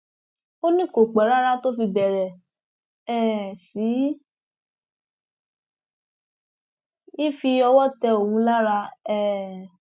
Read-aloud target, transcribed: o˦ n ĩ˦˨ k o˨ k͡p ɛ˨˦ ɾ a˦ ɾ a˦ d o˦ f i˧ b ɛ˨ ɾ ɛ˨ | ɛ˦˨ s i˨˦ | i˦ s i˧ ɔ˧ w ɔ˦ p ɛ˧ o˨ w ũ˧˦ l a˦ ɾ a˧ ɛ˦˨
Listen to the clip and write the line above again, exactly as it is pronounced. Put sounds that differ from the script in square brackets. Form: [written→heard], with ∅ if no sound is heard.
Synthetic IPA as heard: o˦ n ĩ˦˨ k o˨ k͡p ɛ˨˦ ɾ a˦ ɾ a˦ [d→t] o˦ f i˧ b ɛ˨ ɾ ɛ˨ | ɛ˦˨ s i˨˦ | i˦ [s→f] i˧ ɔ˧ w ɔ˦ [p→t] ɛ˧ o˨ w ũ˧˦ l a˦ ɾ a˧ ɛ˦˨